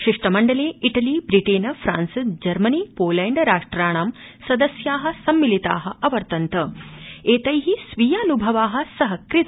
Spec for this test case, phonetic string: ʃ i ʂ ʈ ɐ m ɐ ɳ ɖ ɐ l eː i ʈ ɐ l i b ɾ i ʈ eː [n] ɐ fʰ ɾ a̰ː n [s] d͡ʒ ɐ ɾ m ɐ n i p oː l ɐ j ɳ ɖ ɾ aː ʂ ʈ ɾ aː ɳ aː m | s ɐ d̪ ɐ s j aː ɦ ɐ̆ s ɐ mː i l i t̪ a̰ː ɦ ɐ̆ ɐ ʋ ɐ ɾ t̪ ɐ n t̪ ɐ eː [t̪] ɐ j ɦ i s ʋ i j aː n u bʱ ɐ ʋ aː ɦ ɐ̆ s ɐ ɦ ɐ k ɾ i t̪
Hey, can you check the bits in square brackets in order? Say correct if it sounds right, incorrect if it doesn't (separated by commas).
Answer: correct, correct, correct